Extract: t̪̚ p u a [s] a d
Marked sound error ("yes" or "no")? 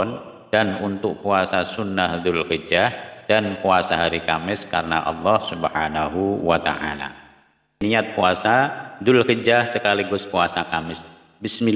no